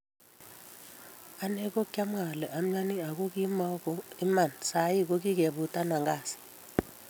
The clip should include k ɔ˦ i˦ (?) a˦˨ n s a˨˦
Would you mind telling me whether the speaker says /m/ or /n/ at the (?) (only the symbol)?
m